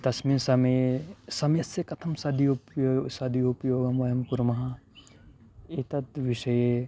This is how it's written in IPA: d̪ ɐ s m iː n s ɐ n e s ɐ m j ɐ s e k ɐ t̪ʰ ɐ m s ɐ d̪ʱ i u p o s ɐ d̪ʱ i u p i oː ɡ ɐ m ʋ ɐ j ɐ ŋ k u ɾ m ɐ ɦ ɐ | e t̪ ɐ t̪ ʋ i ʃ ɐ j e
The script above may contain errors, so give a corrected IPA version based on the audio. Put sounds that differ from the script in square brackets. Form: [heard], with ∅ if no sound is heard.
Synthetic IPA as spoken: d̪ ɐ s m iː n s ɐ [m] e s ɐ m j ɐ s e k ɐ t̪ʰ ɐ m s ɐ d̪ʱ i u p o s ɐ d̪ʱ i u p [j] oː ɡ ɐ m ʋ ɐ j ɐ [m] k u ɾ m ɐ ɦ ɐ | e t̪ ɐ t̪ ʋ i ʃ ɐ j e